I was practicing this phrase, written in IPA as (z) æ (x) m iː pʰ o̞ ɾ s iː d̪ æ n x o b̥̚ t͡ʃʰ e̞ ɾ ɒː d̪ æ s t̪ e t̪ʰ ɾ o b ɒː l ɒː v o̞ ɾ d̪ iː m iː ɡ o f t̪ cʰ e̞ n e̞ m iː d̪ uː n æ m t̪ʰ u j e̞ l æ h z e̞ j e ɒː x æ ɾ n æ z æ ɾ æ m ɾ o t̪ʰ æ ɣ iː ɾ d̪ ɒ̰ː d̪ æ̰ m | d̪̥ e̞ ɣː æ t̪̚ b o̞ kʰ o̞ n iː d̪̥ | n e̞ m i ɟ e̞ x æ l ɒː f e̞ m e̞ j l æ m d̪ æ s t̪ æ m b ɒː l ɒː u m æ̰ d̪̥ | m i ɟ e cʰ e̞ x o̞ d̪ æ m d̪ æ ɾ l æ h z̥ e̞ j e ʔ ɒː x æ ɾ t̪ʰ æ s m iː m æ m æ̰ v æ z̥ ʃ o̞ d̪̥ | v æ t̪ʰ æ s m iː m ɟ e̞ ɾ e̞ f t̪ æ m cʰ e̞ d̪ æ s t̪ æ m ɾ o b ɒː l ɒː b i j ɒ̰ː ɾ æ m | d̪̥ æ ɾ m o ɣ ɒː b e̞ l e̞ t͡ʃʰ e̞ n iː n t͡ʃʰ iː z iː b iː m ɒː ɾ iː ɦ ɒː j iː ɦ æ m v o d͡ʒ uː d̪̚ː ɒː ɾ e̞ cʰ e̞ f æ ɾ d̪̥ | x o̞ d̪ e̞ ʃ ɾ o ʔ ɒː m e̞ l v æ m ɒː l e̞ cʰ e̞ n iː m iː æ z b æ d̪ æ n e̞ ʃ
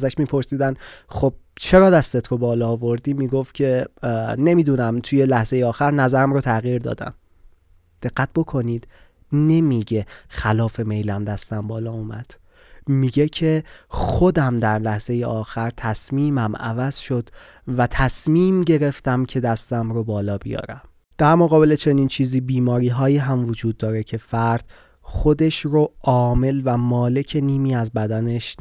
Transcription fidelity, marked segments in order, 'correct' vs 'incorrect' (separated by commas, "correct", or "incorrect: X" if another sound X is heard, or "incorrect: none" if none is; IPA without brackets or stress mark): correct, incorrect: ʃ